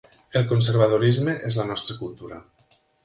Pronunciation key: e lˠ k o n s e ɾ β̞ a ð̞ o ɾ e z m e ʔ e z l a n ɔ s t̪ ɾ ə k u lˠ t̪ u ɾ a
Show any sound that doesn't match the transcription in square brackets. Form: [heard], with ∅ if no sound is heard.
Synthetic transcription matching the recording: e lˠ k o n s e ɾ β̞ a ð̞ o ɾ [i] z m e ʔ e z l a n ɔ s t̪ ɾ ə k u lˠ t̪ u ɾ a